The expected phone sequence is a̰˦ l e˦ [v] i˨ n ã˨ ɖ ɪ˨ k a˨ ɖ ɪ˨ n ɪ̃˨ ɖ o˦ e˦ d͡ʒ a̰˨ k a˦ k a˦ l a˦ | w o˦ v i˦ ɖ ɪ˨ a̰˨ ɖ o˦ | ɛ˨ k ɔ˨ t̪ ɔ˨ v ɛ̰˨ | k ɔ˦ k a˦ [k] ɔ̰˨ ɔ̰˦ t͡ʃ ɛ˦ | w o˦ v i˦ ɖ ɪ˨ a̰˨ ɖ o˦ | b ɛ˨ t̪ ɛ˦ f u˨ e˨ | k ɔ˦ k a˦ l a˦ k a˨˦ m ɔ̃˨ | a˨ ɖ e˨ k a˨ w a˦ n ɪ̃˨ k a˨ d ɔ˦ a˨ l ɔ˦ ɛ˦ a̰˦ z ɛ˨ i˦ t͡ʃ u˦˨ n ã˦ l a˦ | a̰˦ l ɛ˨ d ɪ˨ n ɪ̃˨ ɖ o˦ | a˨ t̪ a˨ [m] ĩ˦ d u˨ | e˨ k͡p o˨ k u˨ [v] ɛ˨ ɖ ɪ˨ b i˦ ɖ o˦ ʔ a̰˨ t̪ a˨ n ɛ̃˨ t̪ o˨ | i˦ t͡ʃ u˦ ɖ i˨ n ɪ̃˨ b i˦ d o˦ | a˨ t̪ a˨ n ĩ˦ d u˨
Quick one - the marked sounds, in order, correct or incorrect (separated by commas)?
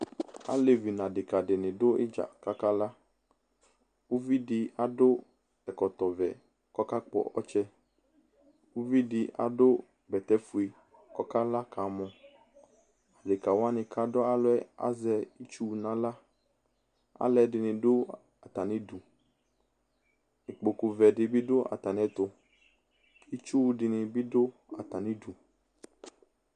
correct, incorrect, incorrect, correct